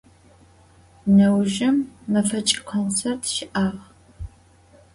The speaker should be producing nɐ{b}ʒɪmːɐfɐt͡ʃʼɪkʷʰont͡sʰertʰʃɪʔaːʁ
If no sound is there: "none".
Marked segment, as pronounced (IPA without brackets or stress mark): w